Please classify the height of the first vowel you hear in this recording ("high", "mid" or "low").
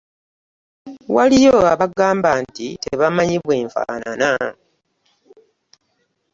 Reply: low